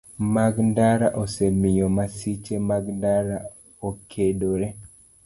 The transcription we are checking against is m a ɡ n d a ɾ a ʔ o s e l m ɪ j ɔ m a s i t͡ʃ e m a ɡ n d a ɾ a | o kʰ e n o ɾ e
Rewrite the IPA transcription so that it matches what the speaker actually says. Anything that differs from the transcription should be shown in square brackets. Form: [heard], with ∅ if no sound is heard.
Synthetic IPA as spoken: m a ɡ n d a ɾ a ʔ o s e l m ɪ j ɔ m a s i t͡ʃ e m a ɡ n d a ɾ a | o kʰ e [d] o ɾ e

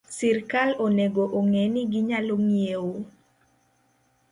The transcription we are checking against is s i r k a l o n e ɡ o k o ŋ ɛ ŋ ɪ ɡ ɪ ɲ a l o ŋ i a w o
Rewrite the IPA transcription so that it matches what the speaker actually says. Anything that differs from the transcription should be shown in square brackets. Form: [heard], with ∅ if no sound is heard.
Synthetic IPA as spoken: s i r k a l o n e ɡ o [ʔ] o ŋ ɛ [n] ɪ ɡ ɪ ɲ a l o ŋ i [e] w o

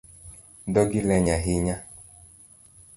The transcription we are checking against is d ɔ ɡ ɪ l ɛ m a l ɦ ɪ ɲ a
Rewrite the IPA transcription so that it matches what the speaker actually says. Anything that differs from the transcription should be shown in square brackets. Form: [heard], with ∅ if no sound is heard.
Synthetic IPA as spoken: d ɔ ɡ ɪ l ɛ [ɲ] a [∅] ɦ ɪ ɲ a

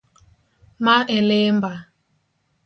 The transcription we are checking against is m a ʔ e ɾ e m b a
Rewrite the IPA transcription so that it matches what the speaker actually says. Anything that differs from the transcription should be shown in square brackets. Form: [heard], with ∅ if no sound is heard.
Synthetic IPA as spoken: m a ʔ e [l] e m b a

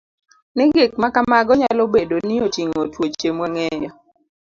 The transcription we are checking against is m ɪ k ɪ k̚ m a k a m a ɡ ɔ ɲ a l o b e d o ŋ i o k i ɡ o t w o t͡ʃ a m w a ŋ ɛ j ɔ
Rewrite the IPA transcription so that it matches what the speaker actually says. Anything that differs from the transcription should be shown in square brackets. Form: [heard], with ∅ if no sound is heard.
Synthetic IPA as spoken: [n] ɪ [ɡ] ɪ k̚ m a k a m a ɡ ɔ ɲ a l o b e d o [n] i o [t] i [ŋ] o t w o t͡ʃ [e] m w a ŋ ɛ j ɔ

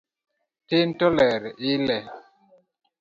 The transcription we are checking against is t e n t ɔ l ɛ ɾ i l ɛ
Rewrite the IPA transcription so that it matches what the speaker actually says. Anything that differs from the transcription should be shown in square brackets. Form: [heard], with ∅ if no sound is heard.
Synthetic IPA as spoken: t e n t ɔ l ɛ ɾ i l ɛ

